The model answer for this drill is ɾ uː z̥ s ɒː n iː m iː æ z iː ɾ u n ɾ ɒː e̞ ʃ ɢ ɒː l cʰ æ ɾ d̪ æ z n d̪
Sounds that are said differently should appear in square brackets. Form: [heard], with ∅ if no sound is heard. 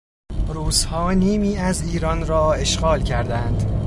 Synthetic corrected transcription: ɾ uː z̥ [h] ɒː n iː m iː æ z iː ɾ [ɒ] n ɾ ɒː e̞ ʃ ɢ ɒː l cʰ æ ɾ d̪ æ [∅] n d̪